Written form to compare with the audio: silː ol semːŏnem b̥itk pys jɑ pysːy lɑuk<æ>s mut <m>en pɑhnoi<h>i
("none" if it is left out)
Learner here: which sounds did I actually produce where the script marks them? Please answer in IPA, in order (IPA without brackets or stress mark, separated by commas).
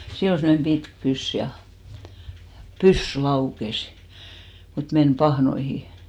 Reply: e, m, h